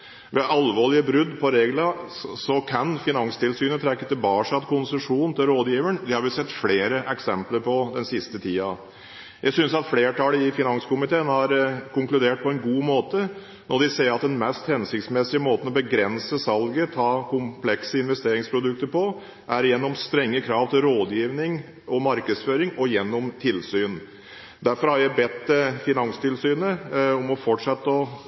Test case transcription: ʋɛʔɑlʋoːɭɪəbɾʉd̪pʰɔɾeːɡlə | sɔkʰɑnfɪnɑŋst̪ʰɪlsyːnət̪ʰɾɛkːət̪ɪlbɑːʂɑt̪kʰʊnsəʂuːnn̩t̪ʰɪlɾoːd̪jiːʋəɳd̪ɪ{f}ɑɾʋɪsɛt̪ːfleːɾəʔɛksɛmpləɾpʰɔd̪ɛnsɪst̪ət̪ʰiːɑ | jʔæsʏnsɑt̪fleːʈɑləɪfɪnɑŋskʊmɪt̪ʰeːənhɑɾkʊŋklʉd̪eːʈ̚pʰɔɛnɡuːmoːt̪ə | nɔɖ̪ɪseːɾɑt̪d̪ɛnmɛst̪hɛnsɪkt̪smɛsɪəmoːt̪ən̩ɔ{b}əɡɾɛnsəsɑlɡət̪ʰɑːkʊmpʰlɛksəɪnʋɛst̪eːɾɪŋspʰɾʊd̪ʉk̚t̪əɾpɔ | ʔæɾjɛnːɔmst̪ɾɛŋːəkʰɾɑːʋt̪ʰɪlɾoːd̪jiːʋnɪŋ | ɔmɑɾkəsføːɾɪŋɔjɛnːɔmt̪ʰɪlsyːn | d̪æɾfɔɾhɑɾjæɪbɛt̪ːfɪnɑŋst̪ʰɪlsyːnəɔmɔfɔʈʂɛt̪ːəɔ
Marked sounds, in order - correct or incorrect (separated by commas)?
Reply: incorrect, correct